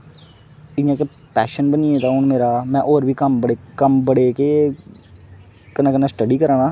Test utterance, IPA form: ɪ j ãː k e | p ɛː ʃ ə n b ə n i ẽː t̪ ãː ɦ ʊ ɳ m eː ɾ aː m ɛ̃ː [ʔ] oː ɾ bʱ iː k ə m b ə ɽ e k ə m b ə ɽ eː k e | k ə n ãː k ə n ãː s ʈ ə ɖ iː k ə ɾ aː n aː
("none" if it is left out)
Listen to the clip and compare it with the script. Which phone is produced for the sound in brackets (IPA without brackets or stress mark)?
ʔ